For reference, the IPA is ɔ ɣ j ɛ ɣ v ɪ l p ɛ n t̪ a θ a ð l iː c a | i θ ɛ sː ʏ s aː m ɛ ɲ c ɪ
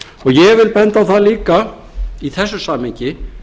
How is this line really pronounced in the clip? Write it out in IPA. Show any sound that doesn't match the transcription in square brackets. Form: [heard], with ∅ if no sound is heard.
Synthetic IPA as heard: ɔ ɣ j ɛ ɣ v ɪ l p ɛ n t̪ a θ a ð l iː [k] a | i θ ɛ sː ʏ s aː m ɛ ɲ c ɪ